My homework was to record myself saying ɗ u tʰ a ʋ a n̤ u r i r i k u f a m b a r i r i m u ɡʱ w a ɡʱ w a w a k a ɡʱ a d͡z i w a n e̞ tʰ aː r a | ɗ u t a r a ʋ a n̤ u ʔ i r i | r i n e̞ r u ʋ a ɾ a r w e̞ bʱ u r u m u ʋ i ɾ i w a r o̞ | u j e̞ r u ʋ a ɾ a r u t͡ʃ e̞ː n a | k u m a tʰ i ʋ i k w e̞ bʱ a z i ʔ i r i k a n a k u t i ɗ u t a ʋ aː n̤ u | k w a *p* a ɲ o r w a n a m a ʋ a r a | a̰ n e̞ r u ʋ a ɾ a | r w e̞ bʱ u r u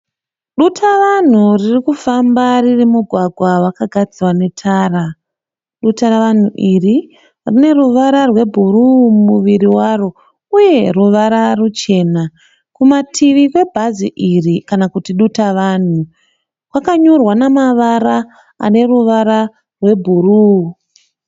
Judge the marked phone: incorrect: k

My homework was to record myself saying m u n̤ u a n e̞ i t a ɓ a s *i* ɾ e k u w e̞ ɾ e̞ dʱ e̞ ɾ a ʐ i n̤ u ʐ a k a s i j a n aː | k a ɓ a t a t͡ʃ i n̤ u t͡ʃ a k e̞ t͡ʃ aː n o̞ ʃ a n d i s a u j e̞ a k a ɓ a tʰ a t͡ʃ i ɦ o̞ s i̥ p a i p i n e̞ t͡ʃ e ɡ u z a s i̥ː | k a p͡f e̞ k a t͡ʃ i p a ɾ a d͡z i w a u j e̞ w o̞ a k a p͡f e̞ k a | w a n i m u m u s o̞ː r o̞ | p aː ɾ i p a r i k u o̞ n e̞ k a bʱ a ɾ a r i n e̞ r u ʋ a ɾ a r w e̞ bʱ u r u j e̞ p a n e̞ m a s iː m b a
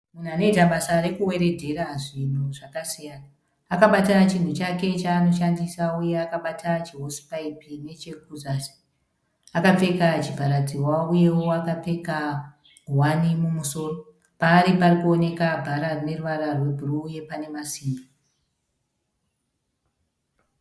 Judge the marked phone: incorrect: a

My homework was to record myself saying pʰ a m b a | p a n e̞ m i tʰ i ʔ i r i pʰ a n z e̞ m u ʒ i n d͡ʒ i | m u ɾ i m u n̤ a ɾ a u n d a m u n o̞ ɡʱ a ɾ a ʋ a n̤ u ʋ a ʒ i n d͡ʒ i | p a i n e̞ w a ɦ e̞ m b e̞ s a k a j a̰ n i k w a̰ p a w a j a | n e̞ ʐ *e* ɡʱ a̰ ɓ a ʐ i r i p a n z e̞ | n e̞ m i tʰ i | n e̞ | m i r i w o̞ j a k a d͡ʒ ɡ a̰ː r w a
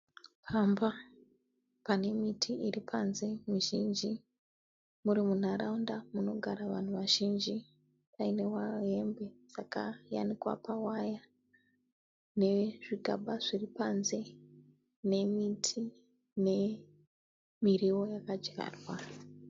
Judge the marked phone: incorrect: i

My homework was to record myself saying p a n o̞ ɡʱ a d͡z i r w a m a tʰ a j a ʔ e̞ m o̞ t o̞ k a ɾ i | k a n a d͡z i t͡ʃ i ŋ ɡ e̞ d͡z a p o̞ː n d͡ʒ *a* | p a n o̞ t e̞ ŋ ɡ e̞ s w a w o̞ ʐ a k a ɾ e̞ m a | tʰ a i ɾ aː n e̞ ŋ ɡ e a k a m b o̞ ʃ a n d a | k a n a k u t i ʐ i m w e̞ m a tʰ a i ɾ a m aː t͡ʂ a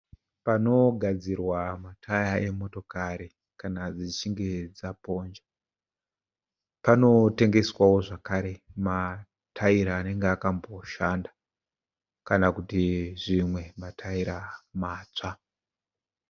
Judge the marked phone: correct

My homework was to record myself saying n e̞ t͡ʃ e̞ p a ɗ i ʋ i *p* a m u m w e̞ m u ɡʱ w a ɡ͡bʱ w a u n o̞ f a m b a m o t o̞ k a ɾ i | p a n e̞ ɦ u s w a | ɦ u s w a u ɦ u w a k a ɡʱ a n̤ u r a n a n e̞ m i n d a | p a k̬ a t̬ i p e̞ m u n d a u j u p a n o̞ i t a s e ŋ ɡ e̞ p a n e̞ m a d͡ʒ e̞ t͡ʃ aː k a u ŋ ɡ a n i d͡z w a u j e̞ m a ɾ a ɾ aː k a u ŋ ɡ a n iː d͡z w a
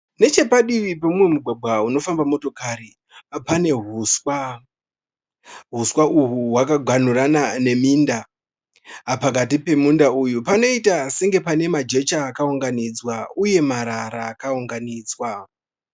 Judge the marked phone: correct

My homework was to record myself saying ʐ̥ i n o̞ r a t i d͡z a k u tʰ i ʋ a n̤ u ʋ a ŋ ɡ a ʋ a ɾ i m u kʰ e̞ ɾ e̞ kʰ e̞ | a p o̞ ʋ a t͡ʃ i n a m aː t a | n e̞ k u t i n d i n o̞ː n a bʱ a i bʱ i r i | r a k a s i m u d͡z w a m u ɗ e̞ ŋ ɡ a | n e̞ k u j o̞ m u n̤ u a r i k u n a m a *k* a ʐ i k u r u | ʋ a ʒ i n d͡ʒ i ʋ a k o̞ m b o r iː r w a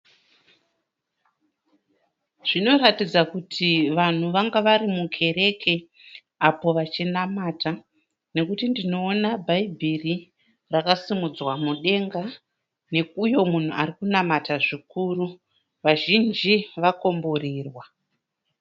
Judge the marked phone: incorrect: t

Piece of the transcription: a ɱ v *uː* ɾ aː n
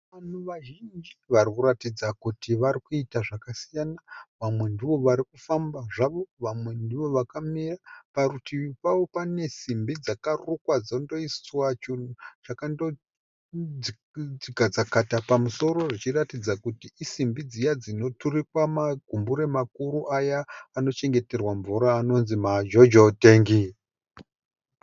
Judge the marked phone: incorrect: u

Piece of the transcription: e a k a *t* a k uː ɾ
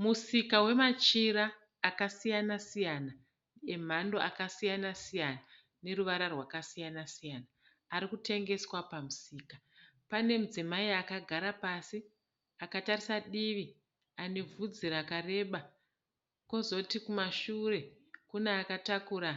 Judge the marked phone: correct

